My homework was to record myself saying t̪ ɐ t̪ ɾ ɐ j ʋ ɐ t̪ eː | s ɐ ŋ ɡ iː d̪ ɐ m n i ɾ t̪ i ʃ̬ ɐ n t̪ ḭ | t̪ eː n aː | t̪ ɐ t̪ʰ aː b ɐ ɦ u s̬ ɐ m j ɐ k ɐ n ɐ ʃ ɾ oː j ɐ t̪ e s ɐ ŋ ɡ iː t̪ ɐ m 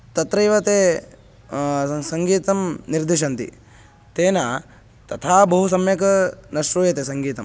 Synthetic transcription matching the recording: t̪ ɐ t̪ ɾ ɐ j ʋ ɐ t̪ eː | s ɐ ŋ ɡ iː t̪ ɐ m n i ɾ d̪ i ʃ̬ ɐ n t̪ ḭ | t̪ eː n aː | t̪ ɐ t̪ʰ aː b ɐ ɦ u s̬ ɐ m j ɐ k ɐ n ɐ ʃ ɾ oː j ɐ t̪ e s ɐ ŋ ɡ iː t̪ ɐ m

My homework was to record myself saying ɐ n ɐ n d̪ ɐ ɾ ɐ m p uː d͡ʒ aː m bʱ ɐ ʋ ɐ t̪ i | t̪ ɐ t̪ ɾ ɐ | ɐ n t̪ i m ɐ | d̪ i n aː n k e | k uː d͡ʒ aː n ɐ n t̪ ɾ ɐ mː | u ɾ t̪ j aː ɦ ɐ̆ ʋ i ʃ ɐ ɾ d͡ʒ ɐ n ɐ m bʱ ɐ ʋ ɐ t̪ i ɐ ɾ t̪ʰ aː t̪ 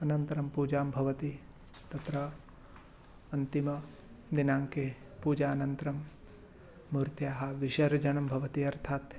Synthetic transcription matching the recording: ɐ n ɐ n t̪ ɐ ɾ ɐ m p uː d͡ʒ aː m bʱ ɐ ʋ ɐ t̪ i | t̪ ɐ t̪ ɾ ɐ | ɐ n t̪ i m ɐ | d̪ i n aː ŋ k e | p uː d͡ʒ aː n ɐ n t̪ ɾ ɐ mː | u ɾ t̪ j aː ɦ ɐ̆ ʋ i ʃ ɐ ɾ d͡ʒ ɐ n ɐ m bʱ ɐ ʋ ɐ t̪ i ɐ ɾ t̪ʰ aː t̪

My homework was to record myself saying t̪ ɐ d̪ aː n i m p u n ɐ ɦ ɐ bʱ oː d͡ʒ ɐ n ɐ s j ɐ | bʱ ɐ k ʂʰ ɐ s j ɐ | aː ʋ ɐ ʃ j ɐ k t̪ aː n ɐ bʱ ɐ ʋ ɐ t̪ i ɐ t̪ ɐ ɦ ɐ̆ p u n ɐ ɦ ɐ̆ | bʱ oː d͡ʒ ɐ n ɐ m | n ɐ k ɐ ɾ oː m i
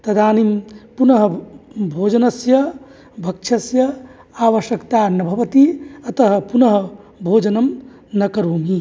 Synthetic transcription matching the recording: t̪ ɐ d̪ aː n i m p u n ɐ ɦ ɐ bʱ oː d͡ʒ ɐ n ɐ s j ɐ | bʱ ɐ k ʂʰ ɐ s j ɐ | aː ʋ ɐ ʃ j ɐ k t̪ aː n ɐ bʱ ɐ ʋ ɐ t̪ i ɐ t̪ ɐ ɦ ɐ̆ p u n ɐ ɦ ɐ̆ | bʱ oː d͡ʒ ɐ n ɐ m | n ɐ k ɐ ɾ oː m i

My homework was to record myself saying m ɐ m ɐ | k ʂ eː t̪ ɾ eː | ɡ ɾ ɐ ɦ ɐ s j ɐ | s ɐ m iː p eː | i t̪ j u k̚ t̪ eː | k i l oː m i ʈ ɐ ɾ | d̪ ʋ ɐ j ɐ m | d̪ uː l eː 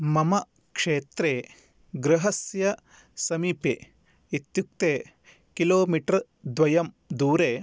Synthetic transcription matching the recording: m ɐ m ɐ | k ʂ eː t̪ ɾ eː | ɡ ɾ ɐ ɦ ɐ s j ɐ | s ɐ m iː p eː | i t̪ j u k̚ t̪ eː | k i l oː m i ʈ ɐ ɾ | d̪ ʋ ɐ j ɐ m | d̪ uː ɾ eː

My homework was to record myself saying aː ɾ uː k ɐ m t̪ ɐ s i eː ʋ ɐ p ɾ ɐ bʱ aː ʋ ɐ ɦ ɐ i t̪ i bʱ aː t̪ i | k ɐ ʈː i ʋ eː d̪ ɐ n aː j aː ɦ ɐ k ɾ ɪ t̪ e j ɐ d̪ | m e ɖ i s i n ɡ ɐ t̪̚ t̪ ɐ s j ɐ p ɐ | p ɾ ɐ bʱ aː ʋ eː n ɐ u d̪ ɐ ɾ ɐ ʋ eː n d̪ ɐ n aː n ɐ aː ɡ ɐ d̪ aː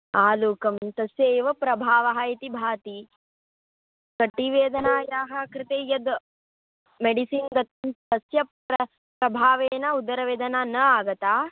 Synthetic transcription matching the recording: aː l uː k ɐ m t̪ ɐ s j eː ʋ ɐ p ɾ ɐ bʱ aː ʋ ɐ ɦ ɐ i t̪ i bʱ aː t̪ i | k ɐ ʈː i ʋ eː d̪ ɐ n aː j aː ɦ ɐ k ɾ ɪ t̪ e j ɐ d̪ | m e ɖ i s i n ɡ ɐ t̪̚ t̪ ɐ s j ɐ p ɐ | p ɾ ɐ bʱ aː ʋ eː n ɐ u d̪ ɐ ɾ ɐ ʋ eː d̪ ɐ n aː n ɐ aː ɡ ɐ t̪ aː

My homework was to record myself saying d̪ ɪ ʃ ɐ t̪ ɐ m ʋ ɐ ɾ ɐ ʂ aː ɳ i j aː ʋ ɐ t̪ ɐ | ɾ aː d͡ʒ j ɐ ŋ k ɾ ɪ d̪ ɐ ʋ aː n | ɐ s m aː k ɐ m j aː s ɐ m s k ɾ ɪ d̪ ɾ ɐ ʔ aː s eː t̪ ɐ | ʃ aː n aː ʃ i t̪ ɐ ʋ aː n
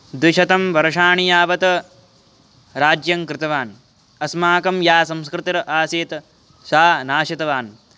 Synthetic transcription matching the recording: d̪ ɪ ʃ ɐ t̪ ɐ m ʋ ɐ ɾ ɐ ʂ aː ɳ i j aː ʋ ɐ t̪ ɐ | ɾ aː d͡ʒ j ɐ ŋ k ɾ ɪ t̪ ɐ ʋ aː n | ɐ s m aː k ɐ m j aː s ɐ m s k ɾ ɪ t̪ ɾ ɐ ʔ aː s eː t̪ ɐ | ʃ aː n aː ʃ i t̪ ɐ ʋ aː n

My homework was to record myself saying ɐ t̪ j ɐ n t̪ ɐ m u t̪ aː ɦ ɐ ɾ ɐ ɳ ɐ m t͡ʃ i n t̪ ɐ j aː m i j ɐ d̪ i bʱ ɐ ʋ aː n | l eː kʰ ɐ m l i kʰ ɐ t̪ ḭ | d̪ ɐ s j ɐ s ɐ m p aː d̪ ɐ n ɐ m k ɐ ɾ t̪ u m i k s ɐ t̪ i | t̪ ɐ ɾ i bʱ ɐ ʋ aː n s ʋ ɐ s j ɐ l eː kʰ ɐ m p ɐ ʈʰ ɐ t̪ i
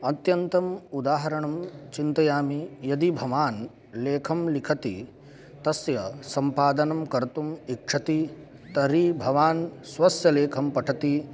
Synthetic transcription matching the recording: ɐ t̪ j ɐ n t̪ ɐ m u d̪ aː ɦ ɐ ɾ ɐ ɳ ɐ m t͡ʃ i n t̪ ɐ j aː m i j ɐ d̪ i bʱ ɐ ʋ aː n | l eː kʰ ɐ m l i kʰ ɐ t̪ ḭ | t̪ ɐ s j ɐ s ɐ m p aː d̪ ɐ n ɐ m k ɐ ɾ t̪ u m i k ʂ ɐ t̪ i | t̪ ɐ ɾ i bʱ ɐ ʋ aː n s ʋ ɐ s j ɐ l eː kʰ ɐ m p ɐ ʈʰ ɐ t̪ i

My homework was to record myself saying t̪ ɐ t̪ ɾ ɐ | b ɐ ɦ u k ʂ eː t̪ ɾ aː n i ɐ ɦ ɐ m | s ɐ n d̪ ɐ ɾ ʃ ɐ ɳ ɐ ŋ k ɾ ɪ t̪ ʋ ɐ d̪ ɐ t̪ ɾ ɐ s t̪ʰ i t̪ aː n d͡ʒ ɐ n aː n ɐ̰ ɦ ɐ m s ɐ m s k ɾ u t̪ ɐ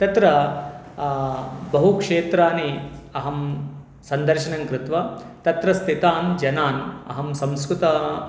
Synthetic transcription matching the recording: t̪ ɐ t̪ ɾ ɐ | b ɐ ɦ u k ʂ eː t̪ ɾ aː n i ɐ ɦ ɐ m | s ɐ n d̪ ɐ ɾ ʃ ɐ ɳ ɐ ŋ k ɾ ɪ t̪ ʋ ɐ t̪ ɐ t̪ ɾ ɐ s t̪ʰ i t̪ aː n d͡ʒ ɐ n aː n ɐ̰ ɦ ɐ m s ɐ m s k ɾ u t̪ ɐ

